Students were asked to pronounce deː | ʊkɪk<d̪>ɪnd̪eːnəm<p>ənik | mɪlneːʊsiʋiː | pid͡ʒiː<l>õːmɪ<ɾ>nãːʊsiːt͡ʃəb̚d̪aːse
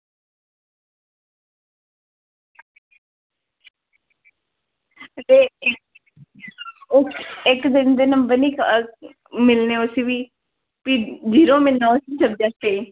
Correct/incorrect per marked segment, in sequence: correct, incorrect: b, incorrect: ɾ, incorrect: l

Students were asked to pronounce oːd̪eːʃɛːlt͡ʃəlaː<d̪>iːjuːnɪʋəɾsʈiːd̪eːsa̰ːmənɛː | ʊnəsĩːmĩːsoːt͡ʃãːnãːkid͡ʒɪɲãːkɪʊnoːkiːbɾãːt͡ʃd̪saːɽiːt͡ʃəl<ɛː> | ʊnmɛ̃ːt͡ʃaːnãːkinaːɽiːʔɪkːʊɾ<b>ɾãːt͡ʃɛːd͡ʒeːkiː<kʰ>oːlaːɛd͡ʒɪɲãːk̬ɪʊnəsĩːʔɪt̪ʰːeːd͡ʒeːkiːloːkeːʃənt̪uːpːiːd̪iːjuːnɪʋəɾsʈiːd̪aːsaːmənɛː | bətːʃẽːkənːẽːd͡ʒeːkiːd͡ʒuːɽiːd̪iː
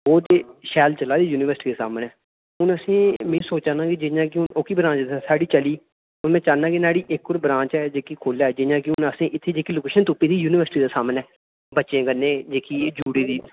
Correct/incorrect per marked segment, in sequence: correct, incorrect: iː, correct, correct

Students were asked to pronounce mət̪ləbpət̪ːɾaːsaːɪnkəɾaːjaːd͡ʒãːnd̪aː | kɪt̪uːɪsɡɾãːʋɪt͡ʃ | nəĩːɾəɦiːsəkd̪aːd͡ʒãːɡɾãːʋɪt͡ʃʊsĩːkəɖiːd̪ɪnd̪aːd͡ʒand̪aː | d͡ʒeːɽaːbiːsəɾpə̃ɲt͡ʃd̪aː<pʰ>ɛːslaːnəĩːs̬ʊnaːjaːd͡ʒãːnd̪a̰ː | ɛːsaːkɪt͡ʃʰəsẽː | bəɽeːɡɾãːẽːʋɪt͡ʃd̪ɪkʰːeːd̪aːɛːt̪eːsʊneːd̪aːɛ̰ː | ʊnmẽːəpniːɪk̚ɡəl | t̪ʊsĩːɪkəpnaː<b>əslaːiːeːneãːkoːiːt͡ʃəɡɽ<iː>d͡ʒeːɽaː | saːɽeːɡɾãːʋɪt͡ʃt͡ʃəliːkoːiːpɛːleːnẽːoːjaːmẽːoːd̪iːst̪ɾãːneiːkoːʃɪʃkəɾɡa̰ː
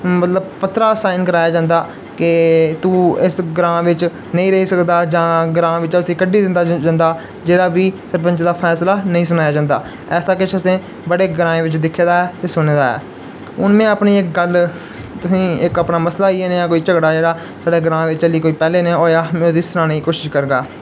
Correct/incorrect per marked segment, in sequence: correct, incorrect: m, incorrect: aː

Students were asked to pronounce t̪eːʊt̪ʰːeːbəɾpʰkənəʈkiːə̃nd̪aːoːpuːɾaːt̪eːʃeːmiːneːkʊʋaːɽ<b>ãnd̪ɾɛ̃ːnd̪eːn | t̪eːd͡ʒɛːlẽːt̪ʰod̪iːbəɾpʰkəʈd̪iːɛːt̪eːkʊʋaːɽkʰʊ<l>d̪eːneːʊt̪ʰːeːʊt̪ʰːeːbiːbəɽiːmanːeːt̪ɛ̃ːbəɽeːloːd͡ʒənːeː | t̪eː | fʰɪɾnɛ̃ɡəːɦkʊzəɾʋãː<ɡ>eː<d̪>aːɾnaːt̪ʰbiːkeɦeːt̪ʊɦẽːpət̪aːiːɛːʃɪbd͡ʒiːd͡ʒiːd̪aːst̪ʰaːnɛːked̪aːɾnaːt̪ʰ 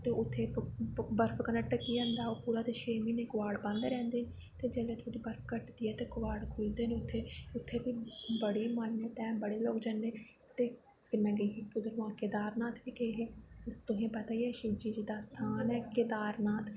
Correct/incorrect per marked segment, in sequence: correct, correct, incorrect: k, correct

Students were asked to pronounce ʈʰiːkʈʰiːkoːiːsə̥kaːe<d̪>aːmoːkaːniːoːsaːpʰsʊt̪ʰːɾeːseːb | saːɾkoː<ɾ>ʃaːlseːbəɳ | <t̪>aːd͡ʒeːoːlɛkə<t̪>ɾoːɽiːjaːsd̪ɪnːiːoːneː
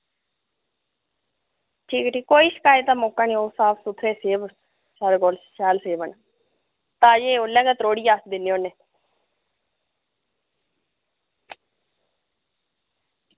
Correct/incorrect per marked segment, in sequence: incorrect: t̪, incorrect: l, correct, correct

